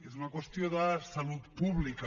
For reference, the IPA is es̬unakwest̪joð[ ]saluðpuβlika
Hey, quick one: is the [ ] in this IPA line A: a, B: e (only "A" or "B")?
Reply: A